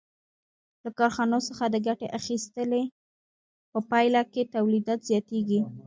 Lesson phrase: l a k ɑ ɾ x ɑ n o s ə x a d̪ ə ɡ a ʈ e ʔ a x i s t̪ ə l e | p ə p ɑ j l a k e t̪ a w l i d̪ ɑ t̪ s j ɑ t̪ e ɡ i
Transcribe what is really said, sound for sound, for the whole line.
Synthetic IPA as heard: l a k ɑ ɾ x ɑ n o s ə x a d̪ ə ɡ a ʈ e ʔ a x i s t̪ ə l e | p ə p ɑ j l a k e t̪ a w l i d̪ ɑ t̪ z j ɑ t̪ e ɡ i